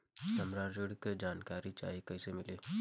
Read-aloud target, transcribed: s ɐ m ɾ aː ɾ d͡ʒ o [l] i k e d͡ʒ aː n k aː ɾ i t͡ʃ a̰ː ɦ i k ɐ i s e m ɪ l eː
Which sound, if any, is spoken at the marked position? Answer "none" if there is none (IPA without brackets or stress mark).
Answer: ɽ